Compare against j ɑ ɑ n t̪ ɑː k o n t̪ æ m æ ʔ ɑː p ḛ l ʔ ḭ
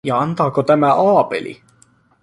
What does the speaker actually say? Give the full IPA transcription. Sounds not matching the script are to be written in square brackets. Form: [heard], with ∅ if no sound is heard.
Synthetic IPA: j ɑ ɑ n t̪ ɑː k o [∅] t̪ æ m æ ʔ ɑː p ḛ l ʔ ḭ